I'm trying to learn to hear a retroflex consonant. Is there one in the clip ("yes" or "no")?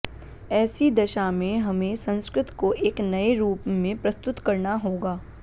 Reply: no